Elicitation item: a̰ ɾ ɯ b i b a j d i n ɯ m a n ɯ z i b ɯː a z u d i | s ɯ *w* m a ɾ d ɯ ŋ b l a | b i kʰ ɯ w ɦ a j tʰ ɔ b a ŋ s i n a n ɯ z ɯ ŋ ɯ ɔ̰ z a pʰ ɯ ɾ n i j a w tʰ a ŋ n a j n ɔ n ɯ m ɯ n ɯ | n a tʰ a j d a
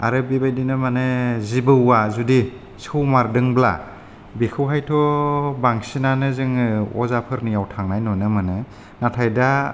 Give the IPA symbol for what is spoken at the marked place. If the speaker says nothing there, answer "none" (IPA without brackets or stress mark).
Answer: w